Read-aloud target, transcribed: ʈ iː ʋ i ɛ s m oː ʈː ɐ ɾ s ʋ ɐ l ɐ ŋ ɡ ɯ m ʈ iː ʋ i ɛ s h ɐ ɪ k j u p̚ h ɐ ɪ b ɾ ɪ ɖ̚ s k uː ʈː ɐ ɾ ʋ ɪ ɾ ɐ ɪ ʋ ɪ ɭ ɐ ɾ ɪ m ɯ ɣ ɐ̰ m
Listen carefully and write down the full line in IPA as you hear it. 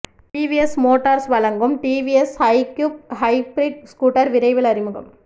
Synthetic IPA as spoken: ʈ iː ʋ i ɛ s m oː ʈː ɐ ɾ s ʋ ɐ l ɐ ŋ ɡ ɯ m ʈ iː ʋ i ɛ s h ɐ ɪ k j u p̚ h ɐ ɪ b ɾ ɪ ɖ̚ s k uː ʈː ɐ ɾ ʋ ɪ ɾ ɐ ɪ ʋ ɪ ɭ ɐ ɾ ɪ m ɯ ɣ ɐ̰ m